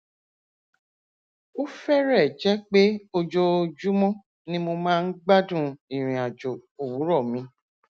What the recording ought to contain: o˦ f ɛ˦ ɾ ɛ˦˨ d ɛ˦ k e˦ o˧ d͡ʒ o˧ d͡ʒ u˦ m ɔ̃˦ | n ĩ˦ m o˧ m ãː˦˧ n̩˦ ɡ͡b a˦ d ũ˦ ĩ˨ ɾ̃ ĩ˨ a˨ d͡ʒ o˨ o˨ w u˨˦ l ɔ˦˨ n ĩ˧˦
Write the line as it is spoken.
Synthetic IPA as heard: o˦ f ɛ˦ ɾ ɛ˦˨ d͡ʒ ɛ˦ k͡p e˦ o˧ d͡ʒ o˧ d͡ʒ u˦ m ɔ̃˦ | n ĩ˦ m o˧ m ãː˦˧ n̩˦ ɡ͡b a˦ d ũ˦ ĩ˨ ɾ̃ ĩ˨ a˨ d͡ʒ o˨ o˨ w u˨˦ ɾ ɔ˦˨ m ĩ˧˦